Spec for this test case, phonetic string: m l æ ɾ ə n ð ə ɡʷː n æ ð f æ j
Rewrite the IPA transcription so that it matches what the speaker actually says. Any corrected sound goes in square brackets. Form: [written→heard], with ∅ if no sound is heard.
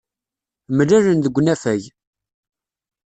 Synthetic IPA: m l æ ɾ ə n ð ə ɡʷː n æ [ð→∅] f æ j